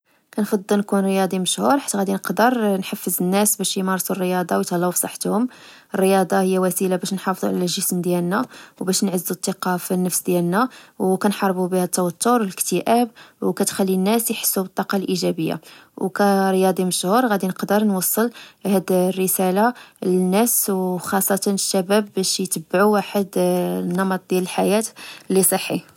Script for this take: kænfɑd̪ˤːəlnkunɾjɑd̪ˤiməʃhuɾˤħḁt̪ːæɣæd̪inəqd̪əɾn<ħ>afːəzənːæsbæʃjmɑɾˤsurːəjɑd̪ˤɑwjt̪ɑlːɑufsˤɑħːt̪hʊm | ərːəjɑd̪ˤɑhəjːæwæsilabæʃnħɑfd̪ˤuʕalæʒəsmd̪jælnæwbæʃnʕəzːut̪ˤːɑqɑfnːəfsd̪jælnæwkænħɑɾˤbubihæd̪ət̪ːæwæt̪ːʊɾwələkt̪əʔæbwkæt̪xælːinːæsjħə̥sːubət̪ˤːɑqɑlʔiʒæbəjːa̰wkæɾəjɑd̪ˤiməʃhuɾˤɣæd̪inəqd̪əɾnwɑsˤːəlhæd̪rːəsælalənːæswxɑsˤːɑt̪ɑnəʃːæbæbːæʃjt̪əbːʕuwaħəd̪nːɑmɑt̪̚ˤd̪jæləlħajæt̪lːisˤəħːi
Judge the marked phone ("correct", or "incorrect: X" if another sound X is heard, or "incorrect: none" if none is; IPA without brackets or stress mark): correct